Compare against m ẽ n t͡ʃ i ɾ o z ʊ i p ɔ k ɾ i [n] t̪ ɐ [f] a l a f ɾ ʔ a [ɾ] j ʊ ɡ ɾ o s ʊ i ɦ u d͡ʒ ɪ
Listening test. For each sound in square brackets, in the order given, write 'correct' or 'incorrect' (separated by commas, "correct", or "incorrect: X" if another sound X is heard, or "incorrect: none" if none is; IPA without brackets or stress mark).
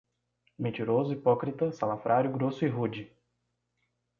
incorrect: none, incorrect: s, correct